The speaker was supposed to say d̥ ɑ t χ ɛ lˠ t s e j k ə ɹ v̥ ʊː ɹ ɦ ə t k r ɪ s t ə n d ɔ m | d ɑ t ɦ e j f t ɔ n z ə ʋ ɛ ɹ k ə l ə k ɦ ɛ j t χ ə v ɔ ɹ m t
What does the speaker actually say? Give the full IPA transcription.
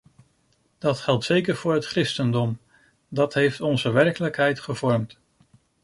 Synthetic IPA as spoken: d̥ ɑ t χ ɛ lˠ t s e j k ə ɹ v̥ ʊː ɹ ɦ ə t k r ɪ s t ə n d ɔ m | d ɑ t ɦ e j f t ɔ n z ə ʋ ɛ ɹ k ə l ə k ɦ ɛ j t χ ə v ɔ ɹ m t